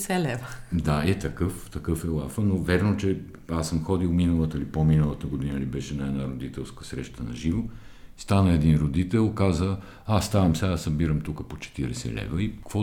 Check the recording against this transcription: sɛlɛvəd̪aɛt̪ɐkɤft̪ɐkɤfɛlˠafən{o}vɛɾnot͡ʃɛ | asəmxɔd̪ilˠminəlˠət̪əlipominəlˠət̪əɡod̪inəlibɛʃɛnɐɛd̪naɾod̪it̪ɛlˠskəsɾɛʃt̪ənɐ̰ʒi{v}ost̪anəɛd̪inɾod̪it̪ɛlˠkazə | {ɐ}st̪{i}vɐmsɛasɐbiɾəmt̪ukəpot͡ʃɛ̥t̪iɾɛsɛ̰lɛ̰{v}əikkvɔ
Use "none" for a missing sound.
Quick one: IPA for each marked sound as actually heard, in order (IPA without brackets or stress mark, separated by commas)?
o, v, a, a, v